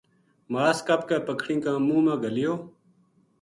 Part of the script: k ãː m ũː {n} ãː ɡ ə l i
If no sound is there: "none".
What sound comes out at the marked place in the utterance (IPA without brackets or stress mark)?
m